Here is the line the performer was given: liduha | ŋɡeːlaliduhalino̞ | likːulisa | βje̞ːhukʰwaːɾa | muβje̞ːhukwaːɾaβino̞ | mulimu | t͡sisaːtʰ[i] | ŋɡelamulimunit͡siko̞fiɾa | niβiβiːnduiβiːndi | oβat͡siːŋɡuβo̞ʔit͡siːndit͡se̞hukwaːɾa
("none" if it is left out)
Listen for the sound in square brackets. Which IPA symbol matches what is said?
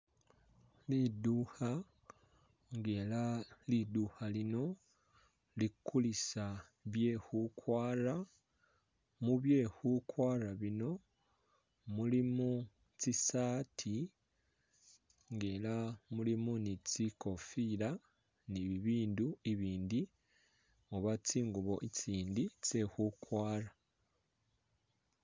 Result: i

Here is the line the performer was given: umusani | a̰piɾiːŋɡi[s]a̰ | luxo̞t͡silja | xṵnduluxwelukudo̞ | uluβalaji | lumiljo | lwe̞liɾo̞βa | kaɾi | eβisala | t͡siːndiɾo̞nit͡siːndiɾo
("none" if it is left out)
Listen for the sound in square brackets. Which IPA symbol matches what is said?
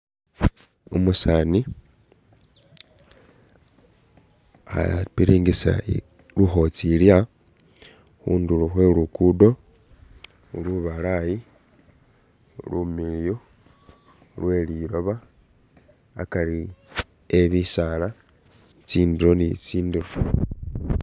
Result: s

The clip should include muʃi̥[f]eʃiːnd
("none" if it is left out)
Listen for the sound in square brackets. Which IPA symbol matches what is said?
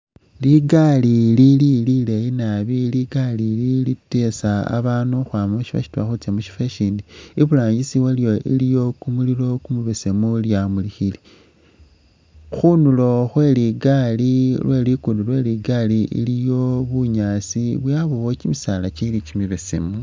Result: f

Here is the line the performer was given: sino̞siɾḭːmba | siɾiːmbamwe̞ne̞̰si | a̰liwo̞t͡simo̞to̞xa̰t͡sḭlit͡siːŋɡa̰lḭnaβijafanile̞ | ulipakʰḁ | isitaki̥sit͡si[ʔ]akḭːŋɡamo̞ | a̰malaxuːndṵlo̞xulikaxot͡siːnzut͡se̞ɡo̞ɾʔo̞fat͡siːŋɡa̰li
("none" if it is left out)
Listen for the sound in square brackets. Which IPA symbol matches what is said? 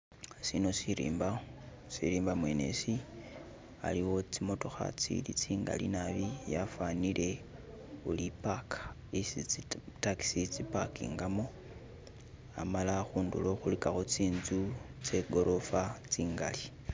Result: p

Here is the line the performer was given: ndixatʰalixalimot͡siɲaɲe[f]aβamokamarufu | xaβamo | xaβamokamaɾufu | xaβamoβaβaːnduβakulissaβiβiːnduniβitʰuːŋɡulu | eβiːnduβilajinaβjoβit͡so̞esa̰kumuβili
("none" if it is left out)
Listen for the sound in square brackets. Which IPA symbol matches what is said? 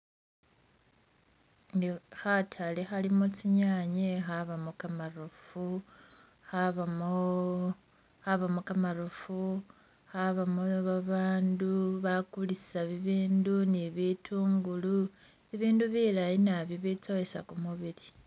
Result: x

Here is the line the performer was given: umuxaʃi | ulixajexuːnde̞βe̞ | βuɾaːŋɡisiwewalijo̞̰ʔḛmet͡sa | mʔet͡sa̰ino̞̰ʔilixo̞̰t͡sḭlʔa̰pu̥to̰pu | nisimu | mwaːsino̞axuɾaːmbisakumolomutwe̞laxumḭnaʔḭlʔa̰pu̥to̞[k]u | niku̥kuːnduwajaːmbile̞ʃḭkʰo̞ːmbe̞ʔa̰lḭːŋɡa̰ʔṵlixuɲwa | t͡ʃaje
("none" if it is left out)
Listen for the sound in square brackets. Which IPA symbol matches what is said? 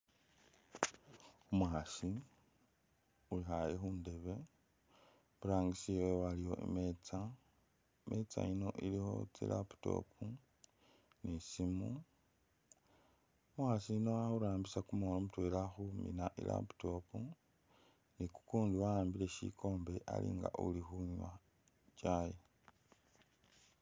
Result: p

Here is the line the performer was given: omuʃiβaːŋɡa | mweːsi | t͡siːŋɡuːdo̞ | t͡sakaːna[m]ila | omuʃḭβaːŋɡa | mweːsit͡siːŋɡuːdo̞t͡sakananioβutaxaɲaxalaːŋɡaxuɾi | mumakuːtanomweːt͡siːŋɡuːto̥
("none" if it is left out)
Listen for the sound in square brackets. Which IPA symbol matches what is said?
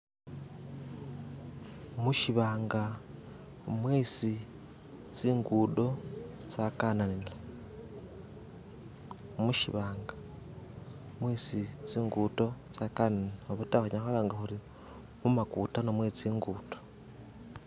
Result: n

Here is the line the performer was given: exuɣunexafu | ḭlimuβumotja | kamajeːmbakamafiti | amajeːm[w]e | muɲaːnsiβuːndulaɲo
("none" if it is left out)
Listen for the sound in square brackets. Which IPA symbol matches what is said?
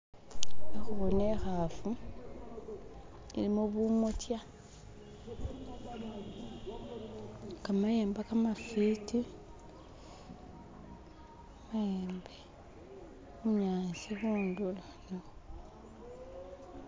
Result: b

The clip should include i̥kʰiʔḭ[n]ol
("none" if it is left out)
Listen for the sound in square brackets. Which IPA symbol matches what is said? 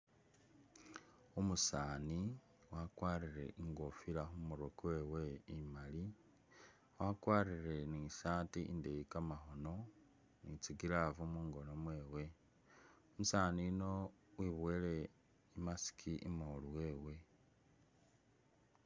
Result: m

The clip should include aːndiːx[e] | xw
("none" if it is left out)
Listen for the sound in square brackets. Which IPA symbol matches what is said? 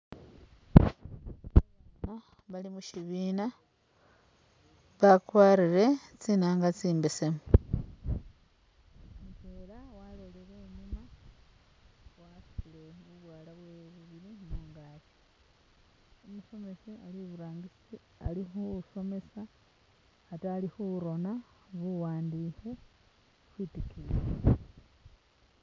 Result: e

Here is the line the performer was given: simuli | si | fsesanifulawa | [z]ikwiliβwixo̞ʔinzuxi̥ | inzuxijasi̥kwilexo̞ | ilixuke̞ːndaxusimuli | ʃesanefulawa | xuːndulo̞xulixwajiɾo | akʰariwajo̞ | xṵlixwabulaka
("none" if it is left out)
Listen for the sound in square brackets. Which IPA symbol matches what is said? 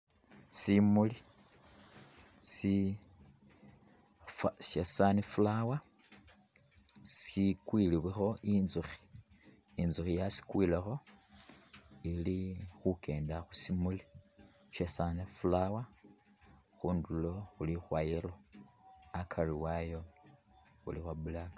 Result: s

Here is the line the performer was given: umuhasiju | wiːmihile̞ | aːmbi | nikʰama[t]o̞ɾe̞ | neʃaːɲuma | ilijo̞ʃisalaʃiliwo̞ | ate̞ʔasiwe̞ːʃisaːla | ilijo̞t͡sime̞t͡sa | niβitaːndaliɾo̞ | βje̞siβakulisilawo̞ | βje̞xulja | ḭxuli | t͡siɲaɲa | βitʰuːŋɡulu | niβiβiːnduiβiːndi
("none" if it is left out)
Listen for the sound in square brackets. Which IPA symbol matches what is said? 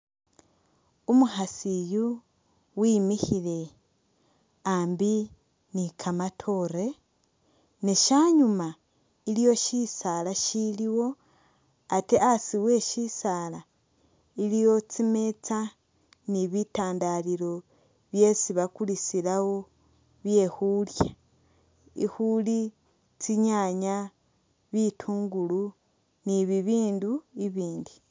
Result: tʰ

